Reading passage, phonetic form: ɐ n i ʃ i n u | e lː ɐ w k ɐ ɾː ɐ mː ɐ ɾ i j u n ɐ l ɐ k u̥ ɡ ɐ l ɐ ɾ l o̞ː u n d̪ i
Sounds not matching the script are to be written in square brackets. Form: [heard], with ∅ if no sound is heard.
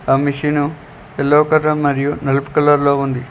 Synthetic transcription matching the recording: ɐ [m] i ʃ i n u | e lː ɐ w k ɐ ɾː ɐ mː ɐ ɾ i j u n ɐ l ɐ [p] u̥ [k] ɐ l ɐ ɾ l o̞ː u n d̪ i